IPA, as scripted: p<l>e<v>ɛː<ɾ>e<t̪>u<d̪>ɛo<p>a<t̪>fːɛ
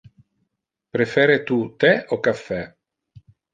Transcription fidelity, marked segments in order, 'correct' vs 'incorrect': incorrect: ɾ, incorrect: f, correct, correct, incorrect: t̪, incorrect: k, incorrect: none

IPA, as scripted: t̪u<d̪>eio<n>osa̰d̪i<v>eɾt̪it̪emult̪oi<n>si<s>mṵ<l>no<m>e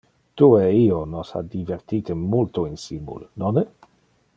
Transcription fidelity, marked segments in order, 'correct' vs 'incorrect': incorrect: none, correct, correct, correct, incorrect: none, correct, incorrect: n

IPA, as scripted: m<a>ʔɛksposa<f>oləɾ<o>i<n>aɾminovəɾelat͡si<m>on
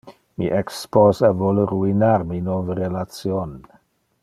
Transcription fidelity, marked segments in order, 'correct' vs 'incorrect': incorrect: i, incorrect: v, incorrect: u, correct, incorrect: none

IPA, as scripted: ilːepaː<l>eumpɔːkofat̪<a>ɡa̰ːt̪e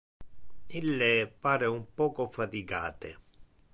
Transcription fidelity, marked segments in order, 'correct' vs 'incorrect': incorrect: ɾ, incorrect: i

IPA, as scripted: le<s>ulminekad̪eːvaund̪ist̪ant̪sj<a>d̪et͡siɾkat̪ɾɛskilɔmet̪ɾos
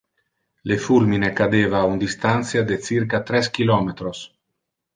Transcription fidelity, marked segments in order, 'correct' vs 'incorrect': incorrect: f, correct

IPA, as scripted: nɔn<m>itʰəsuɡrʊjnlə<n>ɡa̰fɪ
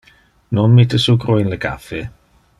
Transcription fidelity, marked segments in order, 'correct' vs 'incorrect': correct, incorrect: none

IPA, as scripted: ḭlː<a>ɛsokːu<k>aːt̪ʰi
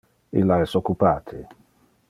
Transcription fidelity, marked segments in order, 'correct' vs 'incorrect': correct, incorrect: p

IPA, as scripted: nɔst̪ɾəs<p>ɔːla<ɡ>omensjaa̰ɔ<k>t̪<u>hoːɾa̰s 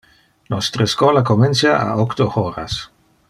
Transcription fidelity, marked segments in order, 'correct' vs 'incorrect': incorrect: k, incorrect: k, correct, incorrect: o

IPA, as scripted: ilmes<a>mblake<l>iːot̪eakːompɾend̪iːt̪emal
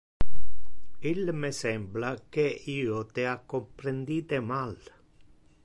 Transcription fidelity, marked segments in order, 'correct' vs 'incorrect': incorrect: ɛ, incorrect: none

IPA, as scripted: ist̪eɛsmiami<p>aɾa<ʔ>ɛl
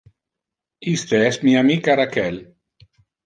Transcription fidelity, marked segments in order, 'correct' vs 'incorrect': incorrect: k, incorrect: k

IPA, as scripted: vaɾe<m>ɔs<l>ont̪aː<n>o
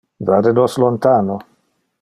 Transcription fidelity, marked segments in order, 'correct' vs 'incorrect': incorrect: n, correct, correct

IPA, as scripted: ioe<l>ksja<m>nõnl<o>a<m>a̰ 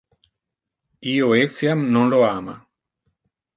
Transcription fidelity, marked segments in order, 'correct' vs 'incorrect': incorrect: none, correct, correct, correct

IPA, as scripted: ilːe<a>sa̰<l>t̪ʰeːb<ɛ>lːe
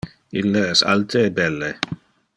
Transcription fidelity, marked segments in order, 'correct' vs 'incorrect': incorrect: ɛ, correct, correct

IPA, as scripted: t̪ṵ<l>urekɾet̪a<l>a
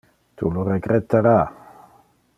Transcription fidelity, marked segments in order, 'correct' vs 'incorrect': correct, incorrect: ɾ

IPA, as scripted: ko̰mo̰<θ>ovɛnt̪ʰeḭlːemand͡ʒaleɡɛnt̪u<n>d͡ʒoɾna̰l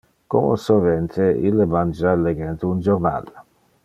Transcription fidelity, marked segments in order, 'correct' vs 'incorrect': incorrect: s, correct

